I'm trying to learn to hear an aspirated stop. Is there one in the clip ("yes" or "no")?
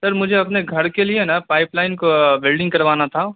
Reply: yes